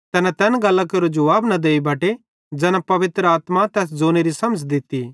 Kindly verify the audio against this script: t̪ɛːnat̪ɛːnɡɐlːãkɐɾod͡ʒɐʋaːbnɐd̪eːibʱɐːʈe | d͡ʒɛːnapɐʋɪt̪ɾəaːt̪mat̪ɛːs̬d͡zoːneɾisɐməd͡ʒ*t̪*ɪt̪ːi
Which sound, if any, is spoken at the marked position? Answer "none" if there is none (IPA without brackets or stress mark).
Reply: d̪